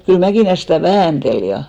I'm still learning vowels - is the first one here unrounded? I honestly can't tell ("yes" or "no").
no